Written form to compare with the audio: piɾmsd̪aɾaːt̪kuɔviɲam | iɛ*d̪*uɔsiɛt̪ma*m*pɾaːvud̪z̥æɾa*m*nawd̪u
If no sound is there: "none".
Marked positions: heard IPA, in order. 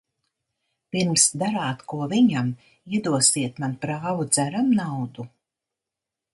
d̪, n, m

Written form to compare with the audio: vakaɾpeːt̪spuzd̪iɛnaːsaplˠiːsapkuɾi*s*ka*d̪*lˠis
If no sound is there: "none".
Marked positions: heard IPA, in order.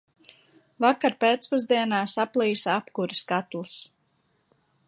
s, t̪

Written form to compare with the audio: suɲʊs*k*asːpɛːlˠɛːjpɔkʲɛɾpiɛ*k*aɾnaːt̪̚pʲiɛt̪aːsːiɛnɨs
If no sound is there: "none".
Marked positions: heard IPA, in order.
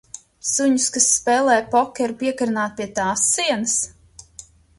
k, k

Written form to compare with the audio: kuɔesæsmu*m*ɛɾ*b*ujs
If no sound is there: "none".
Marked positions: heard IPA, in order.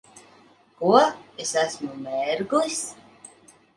m, ɡ

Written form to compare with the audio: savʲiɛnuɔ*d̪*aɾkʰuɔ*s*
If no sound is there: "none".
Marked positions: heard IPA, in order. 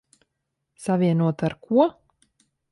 t̪, none

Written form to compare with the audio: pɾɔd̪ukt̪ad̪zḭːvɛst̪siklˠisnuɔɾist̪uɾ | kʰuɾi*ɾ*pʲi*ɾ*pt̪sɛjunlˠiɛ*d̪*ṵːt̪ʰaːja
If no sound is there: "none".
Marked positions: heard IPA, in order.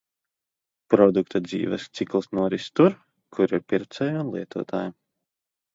ɾ, ɾ, t̪

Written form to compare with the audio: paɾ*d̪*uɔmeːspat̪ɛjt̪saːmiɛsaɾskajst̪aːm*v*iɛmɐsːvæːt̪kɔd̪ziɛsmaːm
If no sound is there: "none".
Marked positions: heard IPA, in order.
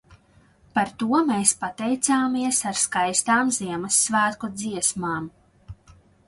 t̪, z

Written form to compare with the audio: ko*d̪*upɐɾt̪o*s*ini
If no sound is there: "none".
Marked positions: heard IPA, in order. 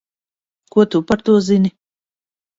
t̪, z

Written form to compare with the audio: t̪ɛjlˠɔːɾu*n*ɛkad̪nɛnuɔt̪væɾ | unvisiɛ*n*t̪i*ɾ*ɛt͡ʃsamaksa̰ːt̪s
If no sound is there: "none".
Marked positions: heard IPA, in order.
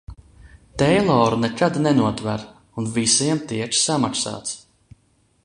n, m, none

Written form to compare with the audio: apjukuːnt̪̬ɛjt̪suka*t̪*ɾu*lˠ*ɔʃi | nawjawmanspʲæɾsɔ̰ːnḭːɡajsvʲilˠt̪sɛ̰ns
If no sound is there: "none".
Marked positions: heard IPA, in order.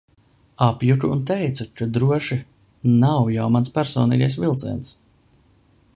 d̪, none

